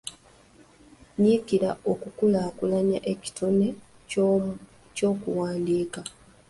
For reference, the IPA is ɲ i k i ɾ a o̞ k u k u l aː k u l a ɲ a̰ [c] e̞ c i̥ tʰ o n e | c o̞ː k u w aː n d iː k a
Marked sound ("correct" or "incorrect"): incorrect